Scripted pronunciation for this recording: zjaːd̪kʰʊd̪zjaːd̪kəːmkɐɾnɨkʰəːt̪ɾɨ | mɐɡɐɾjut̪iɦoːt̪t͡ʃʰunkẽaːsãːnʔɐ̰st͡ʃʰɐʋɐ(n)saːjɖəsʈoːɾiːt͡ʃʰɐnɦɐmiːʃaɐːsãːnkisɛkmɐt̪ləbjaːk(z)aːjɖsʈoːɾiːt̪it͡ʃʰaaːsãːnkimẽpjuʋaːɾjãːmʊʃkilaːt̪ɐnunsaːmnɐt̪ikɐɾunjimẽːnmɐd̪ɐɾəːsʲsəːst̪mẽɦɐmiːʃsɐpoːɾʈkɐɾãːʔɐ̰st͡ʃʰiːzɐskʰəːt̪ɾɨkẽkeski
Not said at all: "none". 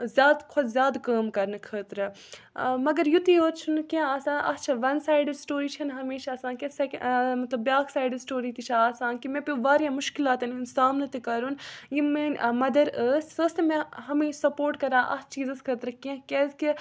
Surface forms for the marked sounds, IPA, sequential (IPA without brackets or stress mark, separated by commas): n, s